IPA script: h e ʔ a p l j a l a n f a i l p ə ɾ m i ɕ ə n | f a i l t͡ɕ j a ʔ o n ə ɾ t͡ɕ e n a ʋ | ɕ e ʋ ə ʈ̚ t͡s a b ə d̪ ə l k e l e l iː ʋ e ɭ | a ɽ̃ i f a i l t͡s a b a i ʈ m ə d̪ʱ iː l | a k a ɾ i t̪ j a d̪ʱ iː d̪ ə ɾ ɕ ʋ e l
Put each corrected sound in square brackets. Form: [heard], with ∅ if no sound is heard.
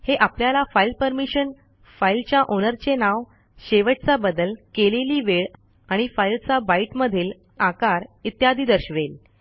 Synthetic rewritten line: h e ʔ a p l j a l a [∅] f a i l p ə ɾ m i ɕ ə n | f a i l t͡ɕ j a ʔ o n ə ɾ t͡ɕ e n a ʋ | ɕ e ʋ ə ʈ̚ t͡s a b ə d̪ ə l k e l e l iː ʋ e ɭ | a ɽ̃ i f a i l t͡s a b a i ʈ m ə d̪ʱ iː l | a k a ɾ i t̪ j a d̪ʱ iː d̪ ə ɾ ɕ ʋ e l

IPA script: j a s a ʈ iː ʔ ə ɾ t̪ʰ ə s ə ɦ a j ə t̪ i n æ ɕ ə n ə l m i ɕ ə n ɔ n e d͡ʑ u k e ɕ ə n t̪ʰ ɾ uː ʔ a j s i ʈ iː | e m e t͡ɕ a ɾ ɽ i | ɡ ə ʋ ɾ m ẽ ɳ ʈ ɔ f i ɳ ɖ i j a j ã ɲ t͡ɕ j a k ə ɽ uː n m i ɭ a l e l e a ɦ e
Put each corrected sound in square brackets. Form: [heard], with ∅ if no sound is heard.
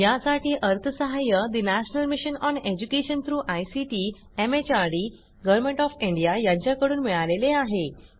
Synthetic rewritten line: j a s a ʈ iː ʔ ə ɾ t̪ʰ ə s ə ɦ a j ə [d̪] i n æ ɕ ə n ə l m i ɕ ə n ɔ n e d͡ʑ u k e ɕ ə n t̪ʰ ɾ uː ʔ a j s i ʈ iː | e m e t͡ɕ a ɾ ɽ i | ɡ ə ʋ ɾ m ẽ ɳ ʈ ɔ f i ɳ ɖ i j a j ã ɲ t͡ɕ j a k ə ɽ uː n m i ɭ a l e l e a ɦ e

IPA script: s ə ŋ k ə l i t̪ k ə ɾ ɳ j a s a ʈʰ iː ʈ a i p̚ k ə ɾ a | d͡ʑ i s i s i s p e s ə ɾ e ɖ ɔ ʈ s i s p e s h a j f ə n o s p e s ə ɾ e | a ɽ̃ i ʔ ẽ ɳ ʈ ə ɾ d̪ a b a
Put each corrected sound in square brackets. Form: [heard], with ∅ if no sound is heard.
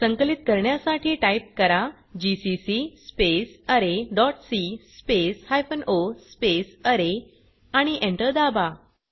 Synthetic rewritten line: s ə ŋ k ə l i t̪ k ə ɾ ɳ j a s a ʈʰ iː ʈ a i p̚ k ə ɾ a | d͡ʑ i s i s i s p e s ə ɾ e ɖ ɔ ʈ s i s p e s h a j f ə n o s p e s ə ɾ e | a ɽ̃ i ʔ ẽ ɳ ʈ ə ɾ d̪ a b a

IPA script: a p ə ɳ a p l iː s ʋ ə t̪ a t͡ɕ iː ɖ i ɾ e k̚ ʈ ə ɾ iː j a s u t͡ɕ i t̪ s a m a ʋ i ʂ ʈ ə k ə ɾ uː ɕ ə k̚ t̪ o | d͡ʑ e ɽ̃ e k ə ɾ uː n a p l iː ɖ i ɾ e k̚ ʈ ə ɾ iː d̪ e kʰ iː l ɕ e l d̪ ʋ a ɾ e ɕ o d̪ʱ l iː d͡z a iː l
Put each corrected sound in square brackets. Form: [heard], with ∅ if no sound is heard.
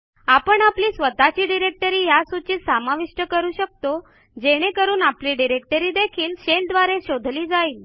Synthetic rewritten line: a p ə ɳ a p l iː s ʋ ə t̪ a t͡ɕ iː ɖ i ɾ e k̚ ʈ ə ɾ iː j a s u t͡ɕ i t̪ s a m a ʋ i ʂ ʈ ə k ə ɾ uː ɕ ə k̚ t̪ o | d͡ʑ e ɽ̃ e k ə ɾ uː n a p l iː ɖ i ɾ e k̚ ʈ ə ɾ iː d̪ e kʰ iː l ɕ e l d̪ ʋ a ɾ e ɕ o d̪ʱ l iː d͡z a iː l

